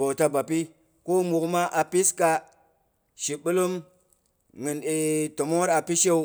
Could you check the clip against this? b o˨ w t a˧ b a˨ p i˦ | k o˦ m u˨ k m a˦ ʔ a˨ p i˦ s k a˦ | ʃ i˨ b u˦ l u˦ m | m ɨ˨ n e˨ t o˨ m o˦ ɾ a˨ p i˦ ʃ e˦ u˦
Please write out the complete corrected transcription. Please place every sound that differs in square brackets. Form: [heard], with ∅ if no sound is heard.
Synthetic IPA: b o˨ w t a˧ b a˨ p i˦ | k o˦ m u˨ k m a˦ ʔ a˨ p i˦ s k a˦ | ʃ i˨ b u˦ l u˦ m | [ŋ] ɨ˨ n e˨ t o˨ m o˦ ɾ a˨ p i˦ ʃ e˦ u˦

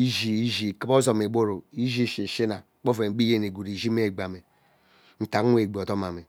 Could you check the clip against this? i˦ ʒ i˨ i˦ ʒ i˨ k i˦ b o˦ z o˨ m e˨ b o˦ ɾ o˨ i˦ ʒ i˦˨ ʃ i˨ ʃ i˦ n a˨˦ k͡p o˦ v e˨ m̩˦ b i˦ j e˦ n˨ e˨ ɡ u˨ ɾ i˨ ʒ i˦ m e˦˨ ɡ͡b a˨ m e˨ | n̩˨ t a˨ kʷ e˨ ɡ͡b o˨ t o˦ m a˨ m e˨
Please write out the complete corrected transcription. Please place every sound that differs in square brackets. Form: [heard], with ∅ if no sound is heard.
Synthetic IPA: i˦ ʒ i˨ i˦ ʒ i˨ k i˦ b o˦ z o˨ m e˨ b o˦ ɾ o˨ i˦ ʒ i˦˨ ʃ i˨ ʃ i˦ n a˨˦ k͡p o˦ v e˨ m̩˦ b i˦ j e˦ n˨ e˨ ɡ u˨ ɾ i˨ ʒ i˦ m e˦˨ ɡ͡b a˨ m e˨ | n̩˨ t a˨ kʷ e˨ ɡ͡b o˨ t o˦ m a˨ m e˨

